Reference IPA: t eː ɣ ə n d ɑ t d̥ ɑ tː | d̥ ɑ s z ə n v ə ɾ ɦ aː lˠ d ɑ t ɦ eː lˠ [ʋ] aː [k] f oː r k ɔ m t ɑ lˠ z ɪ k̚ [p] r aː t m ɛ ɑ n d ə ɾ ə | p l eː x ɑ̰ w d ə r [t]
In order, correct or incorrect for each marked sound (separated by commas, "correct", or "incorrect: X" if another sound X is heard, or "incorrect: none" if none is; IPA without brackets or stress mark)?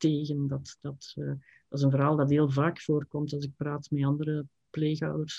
incorrect: v, correct, correct, incorrect: s